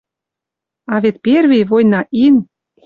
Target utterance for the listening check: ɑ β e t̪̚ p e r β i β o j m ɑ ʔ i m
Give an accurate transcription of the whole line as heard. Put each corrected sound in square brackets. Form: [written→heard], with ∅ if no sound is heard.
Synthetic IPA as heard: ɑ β e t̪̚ p e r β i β o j [m→n] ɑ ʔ i [m→n]

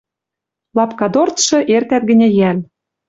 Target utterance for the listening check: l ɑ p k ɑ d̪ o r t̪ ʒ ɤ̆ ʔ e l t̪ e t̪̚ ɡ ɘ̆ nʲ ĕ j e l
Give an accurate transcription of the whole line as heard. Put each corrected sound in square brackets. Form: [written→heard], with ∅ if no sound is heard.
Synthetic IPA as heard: l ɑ p k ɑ d̪ o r t̪ [ʒ→ʃ] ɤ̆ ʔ e [l→r] t̪ [e→æ] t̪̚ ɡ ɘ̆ nʲ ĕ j [e→æ] l

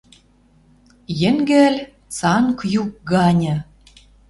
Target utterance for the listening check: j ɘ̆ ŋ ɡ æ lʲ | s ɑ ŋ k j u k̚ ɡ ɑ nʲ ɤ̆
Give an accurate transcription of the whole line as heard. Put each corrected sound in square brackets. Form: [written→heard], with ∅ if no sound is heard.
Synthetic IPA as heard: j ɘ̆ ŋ ɡ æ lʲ | [s→t͡s] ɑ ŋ k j u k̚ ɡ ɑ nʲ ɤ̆

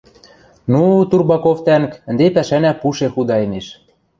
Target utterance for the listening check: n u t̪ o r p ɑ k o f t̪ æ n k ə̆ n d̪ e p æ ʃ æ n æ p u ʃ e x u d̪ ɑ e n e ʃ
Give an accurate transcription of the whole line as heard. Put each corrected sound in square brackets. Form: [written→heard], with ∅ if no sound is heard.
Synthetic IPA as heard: n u t̪ [o→u] r [p→b] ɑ k o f t̪ æ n k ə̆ n d̪ e p æ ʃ æ n æ p u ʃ e x u d̪ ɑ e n e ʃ

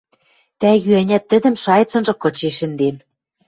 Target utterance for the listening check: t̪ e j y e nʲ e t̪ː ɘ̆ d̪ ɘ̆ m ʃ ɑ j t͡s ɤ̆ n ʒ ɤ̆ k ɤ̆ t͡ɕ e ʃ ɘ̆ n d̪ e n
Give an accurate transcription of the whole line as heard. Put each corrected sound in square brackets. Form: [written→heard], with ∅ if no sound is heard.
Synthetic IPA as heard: t̪ [e→æ] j y [e→æ] nʲ [e→æ] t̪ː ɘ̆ d̪ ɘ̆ m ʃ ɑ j t͡s ɤ̆ n ʒ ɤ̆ k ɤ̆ t͡ɕ e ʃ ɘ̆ n d̪ e n

